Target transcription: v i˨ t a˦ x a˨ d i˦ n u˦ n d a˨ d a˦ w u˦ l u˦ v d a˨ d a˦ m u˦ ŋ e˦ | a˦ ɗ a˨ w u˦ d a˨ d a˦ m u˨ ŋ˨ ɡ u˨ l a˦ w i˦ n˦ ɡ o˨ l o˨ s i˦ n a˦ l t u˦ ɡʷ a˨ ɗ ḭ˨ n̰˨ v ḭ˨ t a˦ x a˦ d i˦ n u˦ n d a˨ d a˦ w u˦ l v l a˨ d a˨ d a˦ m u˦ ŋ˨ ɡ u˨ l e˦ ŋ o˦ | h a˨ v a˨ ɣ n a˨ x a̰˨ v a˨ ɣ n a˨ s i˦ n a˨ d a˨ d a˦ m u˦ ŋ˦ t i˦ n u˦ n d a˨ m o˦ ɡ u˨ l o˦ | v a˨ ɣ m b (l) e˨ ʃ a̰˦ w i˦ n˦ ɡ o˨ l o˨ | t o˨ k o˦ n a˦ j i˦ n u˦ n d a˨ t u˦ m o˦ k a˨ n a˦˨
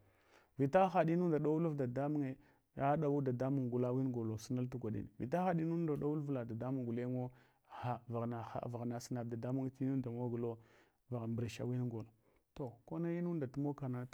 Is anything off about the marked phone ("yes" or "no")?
yes